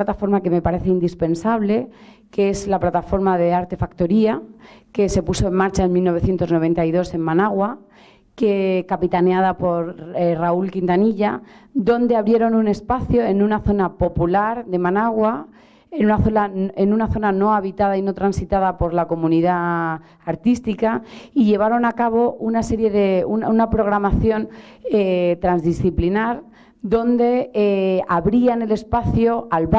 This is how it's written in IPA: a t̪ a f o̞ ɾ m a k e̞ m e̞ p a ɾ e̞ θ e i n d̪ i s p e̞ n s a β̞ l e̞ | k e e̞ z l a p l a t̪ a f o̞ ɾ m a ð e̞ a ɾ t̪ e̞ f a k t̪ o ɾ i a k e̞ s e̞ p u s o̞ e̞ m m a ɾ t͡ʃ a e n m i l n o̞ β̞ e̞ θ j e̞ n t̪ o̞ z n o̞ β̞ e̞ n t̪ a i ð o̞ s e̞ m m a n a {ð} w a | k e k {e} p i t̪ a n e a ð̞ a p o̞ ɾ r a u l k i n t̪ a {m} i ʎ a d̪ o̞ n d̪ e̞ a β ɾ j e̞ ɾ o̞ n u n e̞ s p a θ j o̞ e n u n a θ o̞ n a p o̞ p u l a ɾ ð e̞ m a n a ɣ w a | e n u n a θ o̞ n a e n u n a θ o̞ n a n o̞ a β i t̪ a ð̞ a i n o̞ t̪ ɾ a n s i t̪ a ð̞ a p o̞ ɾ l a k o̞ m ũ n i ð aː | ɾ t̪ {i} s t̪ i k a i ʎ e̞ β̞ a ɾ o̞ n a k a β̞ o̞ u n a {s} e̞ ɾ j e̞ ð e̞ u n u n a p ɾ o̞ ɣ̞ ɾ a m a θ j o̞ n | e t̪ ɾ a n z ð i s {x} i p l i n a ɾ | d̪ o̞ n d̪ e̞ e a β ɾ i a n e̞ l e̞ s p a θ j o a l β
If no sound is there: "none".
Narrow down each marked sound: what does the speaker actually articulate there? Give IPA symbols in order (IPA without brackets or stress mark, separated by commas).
ɣ, a, n, i, s, θ